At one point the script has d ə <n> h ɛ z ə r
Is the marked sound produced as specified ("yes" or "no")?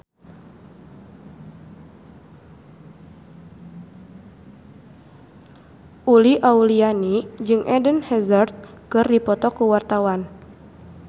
yes